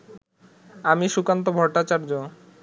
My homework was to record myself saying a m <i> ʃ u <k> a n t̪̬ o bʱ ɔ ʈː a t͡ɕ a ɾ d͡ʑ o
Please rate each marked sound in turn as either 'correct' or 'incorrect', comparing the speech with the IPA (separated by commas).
correct, correct